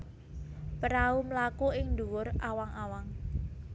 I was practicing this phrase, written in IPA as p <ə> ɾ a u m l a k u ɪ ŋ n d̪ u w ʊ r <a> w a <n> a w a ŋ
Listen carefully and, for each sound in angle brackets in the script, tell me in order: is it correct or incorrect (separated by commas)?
correct, correct, incorrect